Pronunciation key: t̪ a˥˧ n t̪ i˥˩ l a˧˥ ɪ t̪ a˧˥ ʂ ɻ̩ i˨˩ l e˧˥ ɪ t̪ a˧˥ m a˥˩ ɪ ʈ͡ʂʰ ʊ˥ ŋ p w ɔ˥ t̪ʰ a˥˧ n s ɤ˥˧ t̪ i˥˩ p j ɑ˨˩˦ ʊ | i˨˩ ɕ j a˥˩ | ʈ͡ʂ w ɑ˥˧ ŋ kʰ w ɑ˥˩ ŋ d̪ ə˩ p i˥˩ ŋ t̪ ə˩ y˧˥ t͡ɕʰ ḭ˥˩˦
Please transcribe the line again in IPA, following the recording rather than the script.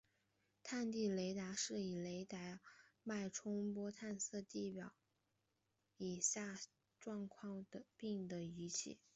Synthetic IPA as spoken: t̪ʰ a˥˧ n t̪ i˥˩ l e˧˥ ɪ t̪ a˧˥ ʂ ɻ̩ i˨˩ l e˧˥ ɪ t̪ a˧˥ m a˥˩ ɪ ʈ͡ʂʰ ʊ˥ ŋ p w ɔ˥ t̪ʰ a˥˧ n s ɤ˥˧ t̪ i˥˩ p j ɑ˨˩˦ ʊ | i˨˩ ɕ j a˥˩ | ʈ͡ʂ w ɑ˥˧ ŋ kʰ w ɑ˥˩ ŋ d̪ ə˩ p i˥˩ ŋ d̪ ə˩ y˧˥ t͡ɕʰ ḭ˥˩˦

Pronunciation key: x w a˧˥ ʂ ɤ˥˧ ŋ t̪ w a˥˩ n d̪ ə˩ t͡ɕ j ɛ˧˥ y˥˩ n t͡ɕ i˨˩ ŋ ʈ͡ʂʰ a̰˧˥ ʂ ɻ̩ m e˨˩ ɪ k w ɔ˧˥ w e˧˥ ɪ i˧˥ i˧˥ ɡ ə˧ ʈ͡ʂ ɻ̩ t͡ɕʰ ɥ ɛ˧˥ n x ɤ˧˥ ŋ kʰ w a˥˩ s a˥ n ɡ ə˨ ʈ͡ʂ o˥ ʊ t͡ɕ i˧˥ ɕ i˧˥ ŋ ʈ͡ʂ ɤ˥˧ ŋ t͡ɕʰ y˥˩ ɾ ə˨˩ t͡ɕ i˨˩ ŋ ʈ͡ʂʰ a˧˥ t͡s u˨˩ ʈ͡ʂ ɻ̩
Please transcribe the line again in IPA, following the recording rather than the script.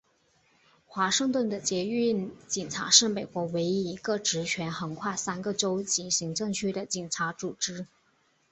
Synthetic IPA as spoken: x w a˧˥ ʂ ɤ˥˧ ŋ t̪ w ə˥˩ n d̪ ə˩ t͡ɕ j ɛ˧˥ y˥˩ n t͡ɕ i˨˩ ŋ ʈ͡ʂʰ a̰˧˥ ʂ ɻ̩ m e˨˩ ɪ k w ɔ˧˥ w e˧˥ ɪ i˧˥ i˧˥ ɡ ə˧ ʈ͡ʂ ɻ̩ t͡ɕʰ ɥ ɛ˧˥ n x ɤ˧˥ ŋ kʰ w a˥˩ s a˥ n ɡ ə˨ ʈ͡ʂ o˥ ʊ t͡ɕ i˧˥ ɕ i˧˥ ŋ ʈ͡ʂ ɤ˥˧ ŋ t͡ɕʰ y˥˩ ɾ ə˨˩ t͡ɕ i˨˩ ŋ ʈ͡ʂʰ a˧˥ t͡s u˨˩ ʈ͡ʂ ɻ̩

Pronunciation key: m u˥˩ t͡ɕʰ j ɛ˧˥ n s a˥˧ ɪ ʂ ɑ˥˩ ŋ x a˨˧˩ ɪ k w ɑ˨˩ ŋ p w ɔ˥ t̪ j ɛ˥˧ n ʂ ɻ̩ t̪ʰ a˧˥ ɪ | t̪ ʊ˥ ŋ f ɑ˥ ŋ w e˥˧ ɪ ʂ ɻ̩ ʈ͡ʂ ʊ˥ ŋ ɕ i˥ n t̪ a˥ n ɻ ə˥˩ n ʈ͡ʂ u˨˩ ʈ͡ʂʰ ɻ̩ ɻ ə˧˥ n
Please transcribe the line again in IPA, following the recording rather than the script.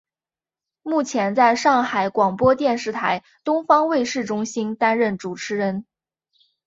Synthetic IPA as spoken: m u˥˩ t͡ɕʰ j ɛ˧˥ n t͡s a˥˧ ɪ ʂ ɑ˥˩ ŋ x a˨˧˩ ɪ k w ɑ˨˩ ŋ p w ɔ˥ t̪ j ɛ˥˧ n ʂ ɻ̩ t̪ʰ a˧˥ ɪ | t̪ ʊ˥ ŋ f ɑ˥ ŋ w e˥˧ ɪ ʂ ɻ̩ ʈ͡ʂ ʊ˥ ŋ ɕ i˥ n t̪ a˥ n ɻ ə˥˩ n ʈ͡ʂ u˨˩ ʈ͡ʂʰ ɻ̩ ɻ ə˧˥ n

